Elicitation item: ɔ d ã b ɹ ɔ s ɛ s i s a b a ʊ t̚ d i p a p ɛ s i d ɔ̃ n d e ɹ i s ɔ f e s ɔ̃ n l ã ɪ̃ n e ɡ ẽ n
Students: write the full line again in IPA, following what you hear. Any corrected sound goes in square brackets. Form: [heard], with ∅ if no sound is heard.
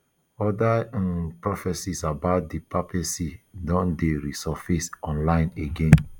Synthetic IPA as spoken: ɔ d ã [p] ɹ ɔ [f] ɛ s i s a b a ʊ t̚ d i p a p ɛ s i d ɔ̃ n d e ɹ i s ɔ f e s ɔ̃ n l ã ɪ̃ n e ɡ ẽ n